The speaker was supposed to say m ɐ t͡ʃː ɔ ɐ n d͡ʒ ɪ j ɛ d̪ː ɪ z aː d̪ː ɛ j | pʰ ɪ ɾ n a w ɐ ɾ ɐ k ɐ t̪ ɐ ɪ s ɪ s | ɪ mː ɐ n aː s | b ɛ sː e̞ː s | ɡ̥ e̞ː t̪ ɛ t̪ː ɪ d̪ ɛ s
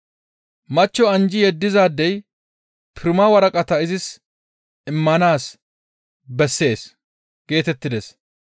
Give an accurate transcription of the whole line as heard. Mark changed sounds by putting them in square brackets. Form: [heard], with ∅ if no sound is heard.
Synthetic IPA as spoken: m ɐ t͡ʃː ɔ ɐ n d͡ʒ ɪ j ɛ d̪ː ɪ z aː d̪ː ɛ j | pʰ ɪ ɾ [m] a w ɐ ɾ ɐ [kʼ] ɐ t̪ ɐ ɪ [z] ɪ s | ɪ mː ɐ n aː s | b ɛ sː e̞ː s | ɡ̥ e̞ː t̪ ɛ t̪ː ɪ d̪ ɛ s

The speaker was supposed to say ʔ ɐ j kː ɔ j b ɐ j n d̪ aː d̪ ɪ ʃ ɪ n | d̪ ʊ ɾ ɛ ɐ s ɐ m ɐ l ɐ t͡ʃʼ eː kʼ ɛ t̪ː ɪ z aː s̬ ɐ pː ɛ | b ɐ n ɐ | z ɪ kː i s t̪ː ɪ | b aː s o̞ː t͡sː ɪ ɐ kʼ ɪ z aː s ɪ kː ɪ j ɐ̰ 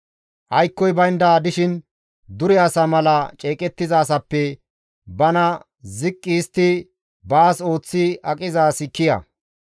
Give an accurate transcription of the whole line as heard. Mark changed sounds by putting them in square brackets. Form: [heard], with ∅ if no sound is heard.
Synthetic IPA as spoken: ʔ ɐ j kː ɔ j b ɐ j n d̪ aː d̪ ɪ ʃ ɪ n | d̪ ʊ ɾ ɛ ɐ s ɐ m ɐ l ɐ t͡ʃʼ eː kʼ ɛ t̪ː ɪ z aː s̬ ɐ pː ɛ | b ɐ n ɐ | z ɪ [kʼː] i s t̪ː ɪ | b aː s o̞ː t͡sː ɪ ɐ kʼ ɪ z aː s ɪ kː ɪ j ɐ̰

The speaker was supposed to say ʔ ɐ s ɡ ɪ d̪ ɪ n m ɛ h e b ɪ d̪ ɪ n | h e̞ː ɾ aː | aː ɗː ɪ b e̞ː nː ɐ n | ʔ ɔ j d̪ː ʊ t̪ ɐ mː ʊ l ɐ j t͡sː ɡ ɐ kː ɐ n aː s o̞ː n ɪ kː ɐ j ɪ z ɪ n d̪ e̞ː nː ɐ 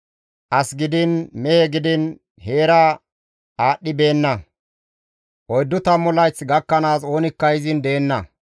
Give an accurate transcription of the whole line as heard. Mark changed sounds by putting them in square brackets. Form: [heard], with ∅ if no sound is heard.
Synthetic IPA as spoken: ʔ ɐ s ɡ ɪ d̪ ɪ n m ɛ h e [ɡ] ɪ d̪ ɪ n | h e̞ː ɾ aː | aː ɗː ɪ b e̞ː nː ɐ [∅] | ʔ ɔ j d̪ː ʊ t̪ ɐ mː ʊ l ɐ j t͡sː ɡ ɐ kː ɐ n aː s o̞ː n ɪ kː ɐ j ɪ z ɪ n d̪ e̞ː nː ɐ

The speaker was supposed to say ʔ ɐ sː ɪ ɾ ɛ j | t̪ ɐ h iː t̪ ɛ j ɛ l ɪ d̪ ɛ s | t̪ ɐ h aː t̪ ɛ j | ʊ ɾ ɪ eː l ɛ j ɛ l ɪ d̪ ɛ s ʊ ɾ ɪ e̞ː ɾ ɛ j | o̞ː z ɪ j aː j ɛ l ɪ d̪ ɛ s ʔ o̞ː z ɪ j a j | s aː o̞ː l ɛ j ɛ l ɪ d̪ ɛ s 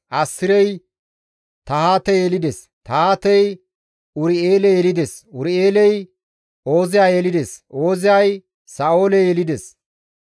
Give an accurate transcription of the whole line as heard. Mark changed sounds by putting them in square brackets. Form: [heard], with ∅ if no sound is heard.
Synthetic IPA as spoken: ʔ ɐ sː ɪ ɾ ɛ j | t̪ ɐ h [aː] t̪ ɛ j ɛ l ɪ d̪ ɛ s | t̪ ɐ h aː t̪ ɛ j | ʊ ɾ ɪ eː l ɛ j ɛ l ɪ d̪ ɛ s ʊ ɾ ɪ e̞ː [l] ɛ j | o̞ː z ɪ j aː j ɛ l ɪ d̪ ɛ s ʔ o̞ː z ɪ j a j | s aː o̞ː l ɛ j ɛ l ɪ d̪ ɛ s

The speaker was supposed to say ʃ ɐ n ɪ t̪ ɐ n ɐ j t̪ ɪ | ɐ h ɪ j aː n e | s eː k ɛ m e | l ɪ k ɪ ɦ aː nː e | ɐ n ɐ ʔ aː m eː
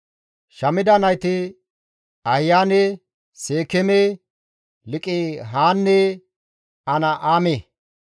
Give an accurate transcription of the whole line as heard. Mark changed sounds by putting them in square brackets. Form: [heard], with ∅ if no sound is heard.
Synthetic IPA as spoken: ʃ ɐ [m] ɪ [d̪] ɐ n ɐ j t̪ ɪ | ɐ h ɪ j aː n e | s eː k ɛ m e | l ɪ [kʼ] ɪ ɦ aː nː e | ɐ n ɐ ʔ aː m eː

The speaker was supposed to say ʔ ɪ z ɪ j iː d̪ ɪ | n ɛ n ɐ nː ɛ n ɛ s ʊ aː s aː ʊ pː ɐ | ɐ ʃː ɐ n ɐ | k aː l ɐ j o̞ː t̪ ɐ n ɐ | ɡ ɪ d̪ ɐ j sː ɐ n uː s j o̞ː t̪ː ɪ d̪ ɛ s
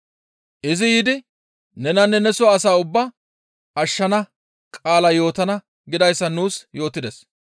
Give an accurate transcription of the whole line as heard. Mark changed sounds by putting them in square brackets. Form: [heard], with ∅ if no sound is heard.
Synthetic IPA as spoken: ʔ ɪ z ɪ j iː d̪ ɪ | n ɛ n ɐ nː ɛ n ɛ s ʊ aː s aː ʊ [bː] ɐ | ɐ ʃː ɐ n ɐ | [kʼ] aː l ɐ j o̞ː t̪ ɐ n ɐ | ɡ ɪ d̪ ɐ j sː ɐ n uː s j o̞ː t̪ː ɪ d̪ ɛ s

